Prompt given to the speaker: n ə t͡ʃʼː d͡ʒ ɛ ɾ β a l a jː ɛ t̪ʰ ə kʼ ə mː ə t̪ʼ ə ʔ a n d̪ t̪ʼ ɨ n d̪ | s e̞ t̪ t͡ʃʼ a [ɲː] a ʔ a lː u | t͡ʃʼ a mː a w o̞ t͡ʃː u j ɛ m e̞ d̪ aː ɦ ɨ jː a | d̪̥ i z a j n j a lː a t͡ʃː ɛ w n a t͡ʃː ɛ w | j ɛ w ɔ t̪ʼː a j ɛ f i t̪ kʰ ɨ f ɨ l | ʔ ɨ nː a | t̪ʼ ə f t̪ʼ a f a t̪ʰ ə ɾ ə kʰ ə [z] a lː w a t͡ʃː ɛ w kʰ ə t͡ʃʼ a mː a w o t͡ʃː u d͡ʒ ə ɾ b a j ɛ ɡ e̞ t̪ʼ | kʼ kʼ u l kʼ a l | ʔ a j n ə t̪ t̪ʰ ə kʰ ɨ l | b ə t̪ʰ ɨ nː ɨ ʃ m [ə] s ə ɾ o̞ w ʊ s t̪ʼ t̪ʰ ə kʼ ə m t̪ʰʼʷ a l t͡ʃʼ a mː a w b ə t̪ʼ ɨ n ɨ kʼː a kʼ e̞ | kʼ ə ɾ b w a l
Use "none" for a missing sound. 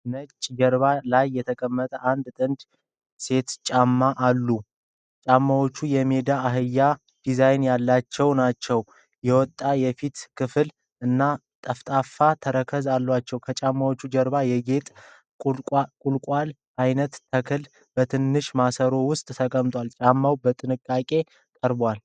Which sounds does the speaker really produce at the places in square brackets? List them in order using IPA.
mː, z, a

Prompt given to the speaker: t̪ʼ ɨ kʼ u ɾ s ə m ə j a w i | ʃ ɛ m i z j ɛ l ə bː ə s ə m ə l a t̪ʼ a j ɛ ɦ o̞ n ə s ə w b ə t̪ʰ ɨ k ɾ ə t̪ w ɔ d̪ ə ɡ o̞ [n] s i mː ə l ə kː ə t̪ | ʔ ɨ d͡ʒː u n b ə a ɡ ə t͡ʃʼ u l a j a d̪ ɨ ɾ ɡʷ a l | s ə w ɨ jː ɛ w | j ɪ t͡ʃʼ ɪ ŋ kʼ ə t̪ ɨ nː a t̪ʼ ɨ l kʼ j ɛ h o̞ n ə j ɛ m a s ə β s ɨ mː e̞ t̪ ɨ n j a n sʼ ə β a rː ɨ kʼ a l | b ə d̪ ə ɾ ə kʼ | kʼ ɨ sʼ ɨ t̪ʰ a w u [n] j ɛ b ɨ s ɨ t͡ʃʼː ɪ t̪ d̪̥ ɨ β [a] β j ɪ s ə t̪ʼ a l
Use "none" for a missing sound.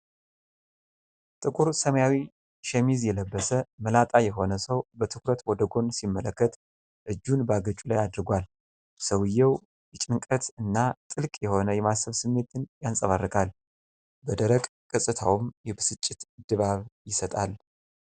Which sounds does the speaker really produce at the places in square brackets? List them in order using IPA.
n, m, a

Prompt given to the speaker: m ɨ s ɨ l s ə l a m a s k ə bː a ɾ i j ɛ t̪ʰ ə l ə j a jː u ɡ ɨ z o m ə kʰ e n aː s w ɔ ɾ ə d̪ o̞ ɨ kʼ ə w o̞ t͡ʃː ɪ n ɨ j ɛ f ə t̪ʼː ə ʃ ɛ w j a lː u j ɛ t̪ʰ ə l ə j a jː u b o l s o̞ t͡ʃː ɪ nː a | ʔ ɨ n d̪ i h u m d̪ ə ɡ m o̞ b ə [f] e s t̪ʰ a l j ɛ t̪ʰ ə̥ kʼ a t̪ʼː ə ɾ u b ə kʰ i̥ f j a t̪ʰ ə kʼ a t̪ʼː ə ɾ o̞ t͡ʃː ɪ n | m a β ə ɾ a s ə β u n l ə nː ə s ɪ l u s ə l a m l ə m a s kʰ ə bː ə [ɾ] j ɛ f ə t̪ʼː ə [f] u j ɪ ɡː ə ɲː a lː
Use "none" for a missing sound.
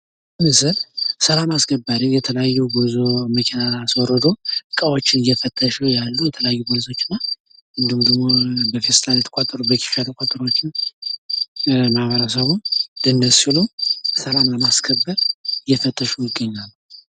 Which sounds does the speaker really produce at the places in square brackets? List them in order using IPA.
f, ɾ, ʃ

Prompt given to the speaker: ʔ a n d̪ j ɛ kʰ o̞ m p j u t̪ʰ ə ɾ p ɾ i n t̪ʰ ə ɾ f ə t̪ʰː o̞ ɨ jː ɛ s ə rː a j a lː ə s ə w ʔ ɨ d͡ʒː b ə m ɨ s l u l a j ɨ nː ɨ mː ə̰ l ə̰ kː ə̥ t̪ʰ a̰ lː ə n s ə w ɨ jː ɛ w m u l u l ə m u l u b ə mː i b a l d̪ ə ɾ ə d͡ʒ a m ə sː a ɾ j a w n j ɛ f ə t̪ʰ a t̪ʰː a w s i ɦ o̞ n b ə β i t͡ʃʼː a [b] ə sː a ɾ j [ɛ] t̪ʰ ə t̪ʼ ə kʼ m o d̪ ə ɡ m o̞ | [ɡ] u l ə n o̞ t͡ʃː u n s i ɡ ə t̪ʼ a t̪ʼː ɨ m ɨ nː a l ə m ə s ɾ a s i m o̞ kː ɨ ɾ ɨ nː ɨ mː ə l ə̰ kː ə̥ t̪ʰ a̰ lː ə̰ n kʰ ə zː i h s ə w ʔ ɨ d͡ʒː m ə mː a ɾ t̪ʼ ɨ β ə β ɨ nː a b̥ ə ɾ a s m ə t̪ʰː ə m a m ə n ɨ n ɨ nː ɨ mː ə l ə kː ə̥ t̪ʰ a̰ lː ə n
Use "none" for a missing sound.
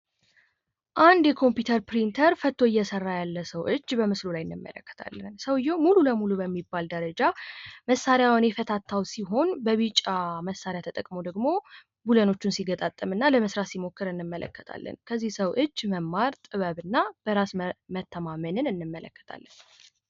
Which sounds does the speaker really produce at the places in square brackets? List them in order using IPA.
m, a, b

